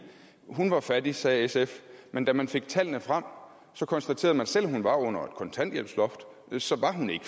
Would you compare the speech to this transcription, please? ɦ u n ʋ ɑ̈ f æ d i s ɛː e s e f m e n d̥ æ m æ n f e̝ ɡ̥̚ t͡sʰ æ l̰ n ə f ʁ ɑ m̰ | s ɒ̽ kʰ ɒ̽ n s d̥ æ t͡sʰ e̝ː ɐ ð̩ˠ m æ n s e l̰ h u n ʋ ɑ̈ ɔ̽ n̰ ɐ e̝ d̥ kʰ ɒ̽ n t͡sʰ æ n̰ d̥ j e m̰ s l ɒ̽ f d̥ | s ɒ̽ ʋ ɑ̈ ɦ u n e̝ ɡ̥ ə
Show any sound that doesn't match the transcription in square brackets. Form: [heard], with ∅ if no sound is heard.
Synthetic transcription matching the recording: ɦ u n ʋ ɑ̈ f æ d i s ɛː e s e f m e n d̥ æ m æ n f e̝ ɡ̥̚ t͡sʰ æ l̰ n ə f ʁ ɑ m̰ | s ɒ̽ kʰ ɒ̽ n s d̥ æ t͡sʰ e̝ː ɐ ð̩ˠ m æ n s e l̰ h u n ʋ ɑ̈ ɔ̽ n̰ ɐ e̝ d̥ kʰ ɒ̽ n t͡sʰ æ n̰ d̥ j e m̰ s l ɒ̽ f d̥ | s ɒ̽ ʋ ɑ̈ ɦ u n e̝ ɡ̥ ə

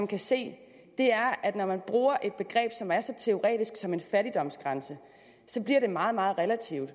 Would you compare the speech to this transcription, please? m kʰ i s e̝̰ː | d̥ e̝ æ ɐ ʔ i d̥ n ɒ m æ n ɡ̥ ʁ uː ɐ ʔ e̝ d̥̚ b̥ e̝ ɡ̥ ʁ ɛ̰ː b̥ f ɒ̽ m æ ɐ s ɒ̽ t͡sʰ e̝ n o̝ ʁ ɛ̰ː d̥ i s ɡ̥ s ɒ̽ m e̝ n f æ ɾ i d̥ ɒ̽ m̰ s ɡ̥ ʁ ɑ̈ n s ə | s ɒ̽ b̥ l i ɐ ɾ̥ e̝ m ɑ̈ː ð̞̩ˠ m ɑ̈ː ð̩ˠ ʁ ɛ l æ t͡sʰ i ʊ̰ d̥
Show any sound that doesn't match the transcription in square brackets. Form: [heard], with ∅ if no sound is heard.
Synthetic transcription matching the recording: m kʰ [æ] s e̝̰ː | d̥ e̝ æ ɐ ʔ [æ] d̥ n ɒ m æ n [b̥] ʁ uː ɐ ʔ e̝ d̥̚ b̥ e̝ ɡ̥ ʁ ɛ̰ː b̥ [s] ɒ̽ m æ ɐ s ɒ̽ t͡sʰ e̝ [∅] o̝ ʁ ɛ̰ː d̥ i s ɡ̥ s ɒ̽ m e̝ n f æ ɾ i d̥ ɒ̽ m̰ s ɡ̥ ʁ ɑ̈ n s ə | s ɒ̽ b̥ l i ɐ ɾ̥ e̝ m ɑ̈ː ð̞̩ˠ m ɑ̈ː ð̩ˠ ʁ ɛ l æ t͡sʰ i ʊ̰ d̥

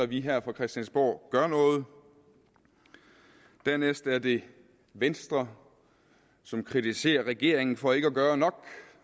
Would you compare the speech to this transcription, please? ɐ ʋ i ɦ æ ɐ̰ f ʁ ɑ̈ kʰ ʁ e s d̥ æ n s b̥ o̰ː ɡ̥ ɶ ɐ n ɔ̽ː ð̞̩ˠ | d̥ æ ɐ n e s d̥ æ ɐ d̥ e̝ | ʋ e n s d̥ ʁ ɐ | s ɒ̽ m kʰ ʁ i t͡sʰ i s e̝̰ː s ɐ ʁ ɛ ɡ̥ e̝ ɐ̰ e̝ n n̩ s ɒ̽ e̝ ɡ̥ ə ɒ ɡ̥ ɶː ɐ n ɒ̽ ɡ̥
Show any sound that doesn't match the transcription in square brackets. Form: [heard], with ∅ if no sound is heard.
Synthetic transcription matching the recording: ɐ ʋ i ɦ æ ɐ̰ f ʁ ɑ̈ kʰ ʁ [ɛ] s d̥ æ n s b̥ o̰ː ɡ̥ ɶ ɐ n ɔ̽ː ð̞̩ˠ | d̥ æ ɐ n e s d̥ æ ɐ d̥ e̝ | ʋ e n s d̥ ʁ ɐ | s ɒ̽ m kʰ ʁ i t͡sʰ i s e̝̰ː [∅] ɐ ʁ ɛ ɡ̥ e̝ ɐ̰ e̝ [ŋ] n̩ [f] ɒ̽ e̝ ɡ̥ ə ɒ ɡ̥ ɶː ɐ n ɒ̽ ɡ̥

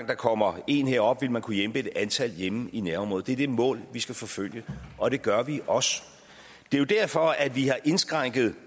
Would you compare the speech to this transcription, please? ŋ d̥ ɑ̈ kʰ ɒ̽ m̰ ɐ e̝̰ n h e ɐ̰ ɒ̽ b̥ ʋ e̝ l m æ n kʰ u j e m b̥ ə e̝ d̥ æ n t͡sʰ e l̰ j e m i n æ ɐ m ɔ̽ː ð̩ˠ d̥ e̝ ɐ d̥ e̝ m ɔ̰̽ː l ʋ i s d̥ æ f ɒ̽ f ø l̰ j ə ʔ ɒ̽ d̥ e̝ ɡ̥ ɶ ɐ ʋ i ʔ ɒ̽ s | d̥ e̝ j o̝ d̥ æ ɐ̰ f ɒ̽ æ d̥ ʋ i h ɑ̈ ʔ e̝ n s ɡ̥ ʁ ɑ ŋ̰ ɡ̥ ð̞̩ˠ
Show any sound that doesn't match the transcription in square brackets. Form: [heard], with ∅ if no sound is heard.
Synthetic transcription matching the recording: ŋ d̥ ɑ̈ kʰ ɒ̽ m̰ ɐ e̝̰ n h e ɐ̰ ɒ̽ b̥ ʋ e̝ l m æ n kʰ u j e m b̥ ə e̝ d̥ æ n t͡sʰ [æ] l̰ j e m i n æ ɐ m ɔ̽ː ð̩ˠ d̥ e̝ ɐ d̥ e̝ m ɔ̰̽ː l ʋ i s [ɡ̥] æ f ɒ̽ f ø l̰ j ə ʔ ɒ̽ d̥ e̝ ɡ̥ ɶ ɐ ʋ i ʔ ɒ̽ s | d̥ e̝ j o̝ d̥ æ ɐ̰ f ɒ̽ æ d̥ ʋ i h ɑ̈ ʔ e̝ n s ɡ̥ ʁ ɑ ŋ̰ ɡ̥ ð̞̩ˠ

